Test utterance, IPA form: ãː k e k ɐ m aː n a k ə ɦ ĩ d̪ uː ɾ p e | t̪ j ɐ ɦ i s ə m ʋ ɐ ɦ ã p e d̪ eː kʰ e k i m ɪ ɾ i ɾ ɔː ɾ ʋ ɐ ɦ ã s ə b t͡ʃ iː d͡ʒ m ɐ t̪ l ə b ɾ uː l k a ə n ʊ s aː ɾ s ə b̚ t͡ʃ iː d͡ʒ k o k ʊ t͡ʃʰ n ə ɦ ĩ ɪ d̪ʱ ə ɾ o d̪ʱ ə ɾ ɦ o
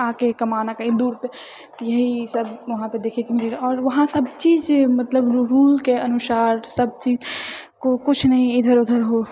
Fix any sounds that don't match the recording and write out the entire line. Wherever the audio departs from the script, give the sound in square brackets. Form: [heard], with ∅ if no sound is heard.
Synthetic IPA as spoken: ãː k e k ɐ m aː n a k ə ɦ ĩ d̪ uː ɾ p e | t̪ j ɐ ɦ i s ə [b] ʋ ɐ ɦ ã p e d̪ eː kʰ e k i m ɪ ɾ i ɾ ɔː ɾ ʋ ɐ ɦ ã s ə b t͡ʃ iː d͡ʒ m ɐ t̪ l ə b ɾ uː l k [e] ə n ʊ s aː ɾ s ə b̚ t͡ʃ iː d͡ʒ k o k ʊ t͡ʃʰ n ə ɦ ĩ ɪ d̪ʱ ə ɾ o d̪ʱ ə ɾ ɦ o